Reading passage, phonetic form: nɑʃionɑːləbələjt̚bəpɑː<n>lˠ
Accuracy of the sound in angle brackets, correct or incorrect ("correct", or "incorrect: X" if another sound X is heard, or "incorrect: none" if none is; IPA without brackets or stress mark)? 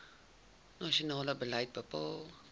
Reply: incorrect: none